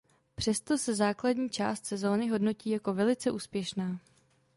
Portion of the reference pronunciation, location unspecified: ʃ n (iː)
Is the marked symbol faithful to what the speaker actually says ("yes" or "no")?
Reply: no